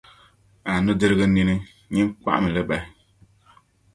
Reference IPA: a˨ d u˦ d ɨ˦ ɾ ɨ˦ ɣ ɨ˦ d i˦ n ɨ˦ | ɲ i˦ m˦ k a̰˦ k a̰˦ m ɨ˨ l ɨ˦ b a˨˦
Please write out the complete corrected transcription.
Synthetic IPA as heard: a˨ n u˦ d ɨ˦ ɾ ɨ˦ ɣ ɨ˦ n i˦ n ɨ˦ | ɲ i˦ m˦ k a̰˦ ʔ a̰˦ m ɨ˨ l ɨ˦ b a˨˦